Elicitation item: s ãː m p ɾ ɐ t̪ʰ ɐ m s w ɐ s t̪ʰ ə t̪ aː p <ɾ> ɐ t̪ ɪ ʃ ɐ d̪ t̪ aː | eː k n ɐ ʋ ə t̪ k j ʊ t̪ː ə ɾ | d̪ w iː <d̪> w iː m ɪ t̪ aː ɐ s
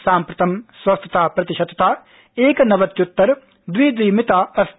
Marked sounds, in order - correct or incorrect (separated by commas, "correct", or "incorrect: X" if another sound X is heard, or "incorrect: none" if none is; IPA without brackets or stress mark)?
correct, correct